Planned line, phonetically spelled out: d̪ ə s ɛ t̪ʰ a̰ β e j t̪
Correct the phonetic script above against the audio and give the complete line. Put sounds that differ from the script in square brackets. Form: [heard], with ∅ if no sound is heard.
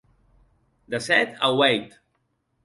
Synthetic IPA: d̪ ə s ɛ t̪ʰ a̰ [w] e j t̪